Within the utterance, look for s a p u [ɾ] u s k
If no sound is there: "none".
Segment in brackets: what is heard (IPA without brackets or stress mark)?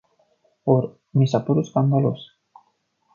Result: ɾ